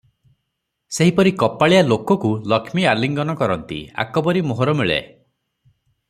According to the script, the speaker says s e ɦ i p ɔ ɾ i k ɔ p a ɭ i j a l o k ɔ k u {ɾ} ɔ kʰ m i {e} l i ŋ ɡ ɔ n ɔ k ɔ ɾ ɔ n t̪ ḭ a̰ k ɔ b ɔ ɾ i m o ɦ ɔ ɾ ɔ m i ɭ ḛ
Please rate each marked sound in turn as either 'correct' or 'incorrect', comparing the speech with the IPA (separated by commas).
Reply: incorrect, incorrect